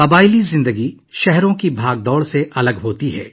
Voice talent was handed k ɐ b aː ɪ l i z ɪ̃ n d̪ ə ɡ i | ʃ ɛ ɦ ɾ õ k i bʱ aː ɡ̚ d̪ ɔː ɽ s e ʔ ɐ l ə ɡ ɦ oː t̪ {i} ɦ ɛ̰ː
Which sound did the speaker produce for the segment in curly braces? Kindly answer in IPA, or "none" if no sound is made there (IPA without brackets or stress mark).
i